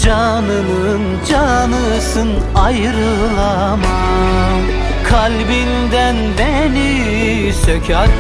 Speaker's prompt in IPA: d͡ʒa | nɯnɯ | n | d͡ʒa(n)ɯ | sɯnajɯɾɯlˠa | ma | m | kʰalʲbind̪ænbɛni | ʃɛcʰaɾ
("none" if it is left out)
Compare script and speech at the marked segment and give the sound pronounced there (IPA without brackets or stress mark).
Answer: n